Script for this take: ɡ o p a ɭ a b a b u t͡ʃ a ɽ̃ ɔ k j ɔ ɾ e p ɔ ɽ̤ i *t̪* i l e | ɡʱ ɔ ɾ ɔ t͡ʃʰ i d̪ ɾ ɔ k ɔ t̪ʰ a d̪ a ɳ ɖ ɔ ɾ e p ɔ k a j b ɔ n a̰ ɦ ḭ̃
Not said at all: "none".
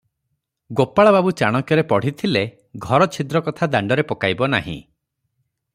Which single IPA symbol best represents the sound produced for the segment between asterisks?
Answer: t̪ʰ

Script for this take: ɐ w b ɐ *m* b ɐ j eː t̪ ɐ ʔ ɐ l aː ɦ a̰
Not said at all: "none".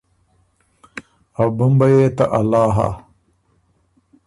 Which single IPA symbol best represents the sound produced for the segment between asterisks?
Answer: m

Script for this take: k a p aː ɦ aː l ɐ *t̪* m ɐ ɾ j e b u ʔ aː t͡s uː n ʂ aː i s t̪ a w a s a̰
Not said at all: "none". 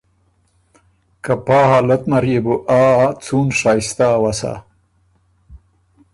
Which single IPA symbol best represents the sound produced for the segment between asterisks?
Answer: t̪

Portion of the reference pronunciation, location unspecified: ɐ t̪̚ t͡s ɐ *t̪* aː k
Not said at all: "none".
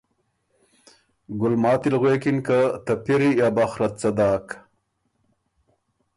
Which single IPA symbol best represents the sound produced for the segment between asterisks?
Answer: d̪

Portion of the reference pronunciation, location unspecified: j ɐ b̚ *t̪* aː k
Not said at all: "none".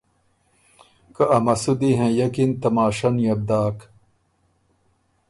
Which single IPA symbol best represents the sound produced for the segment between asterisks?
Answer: d̪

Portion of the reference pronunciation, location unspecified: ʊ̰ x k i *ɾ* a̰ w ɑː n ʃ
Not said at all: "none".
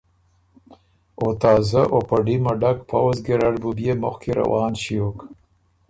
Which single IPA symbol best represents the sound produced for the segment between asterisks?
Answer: ɾ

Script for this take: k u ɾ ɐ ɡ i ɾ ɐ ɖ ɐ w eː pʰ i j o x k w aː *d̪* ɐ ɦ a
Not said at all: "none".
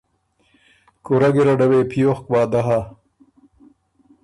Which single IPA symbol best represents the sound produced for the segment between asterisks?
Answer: d̪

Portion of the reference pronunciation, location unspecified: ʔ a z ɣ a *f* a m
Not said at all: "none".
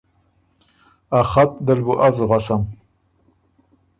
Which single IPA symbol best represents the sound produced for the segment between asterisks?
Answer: s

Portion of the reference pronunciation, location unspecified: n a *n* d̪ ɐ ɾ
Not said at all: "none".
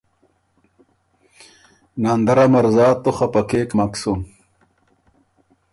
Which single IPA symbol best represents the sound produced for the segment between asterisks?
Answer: n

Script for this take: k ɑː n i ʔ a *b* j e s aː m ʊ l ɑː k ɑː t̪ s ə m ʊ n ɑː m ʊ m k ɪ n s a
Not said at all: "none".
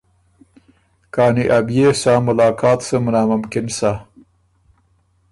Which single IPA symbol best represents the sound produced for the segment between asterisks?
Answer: b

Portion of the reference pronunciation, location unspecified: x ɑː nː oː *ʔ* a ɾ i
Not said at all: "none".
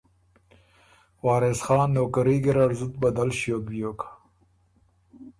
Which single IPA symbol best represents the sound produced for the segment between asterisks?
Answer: k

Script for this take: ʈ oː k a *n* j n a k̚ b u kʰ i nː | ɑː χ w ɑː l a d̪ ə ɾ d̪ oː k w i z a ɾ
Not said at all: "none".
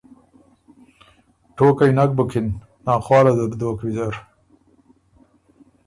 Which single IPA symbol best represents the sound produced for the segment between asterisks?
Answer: none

